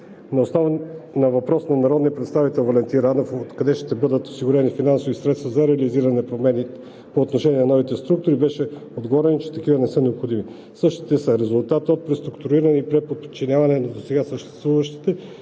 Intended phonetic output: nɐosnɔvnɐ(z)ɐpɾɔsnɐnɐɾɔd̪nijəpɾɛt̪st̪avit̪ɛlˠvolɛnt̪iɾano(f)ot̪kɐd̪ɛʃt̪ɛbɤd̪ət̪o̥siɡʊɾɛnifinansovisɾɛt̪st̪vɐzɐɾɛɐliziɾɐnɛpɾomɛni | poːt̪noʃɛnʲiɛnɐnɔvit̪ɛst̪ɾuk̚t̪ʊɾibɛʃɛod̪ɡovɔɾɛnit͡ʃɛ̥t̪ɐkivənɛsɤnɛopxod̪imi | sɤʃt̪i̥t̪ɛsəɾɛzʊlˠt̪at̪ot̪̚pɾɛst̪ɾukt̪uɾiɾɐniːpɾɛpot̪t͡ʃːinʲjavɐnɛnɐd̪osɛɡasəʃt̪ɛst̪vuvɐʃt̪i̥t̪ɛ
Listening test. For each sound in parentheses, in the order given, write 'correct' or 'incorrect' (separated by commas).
incorrect, correct